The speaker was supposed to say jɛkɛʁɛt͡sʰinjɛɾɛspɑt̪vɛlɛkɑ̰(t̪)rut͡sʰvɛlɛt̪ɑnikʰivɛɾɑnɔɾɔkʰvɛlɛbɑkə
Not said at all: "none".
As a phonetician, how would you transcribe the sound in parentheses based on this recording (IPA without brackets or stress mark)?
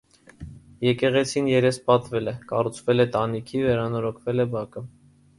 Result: none